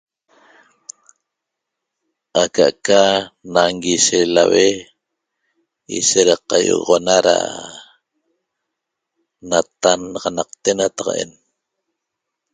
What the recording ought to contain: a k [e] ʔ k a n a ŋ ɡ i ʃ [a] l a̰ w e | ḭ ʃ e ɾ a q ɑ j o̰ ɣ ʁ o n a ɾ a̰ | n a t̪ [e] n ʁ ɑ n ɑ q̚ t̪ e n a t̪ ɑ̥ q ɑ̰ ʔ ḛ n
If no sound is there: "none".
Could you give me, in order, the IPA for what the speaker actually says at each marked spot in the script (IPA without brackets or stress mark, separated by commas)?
a, e, a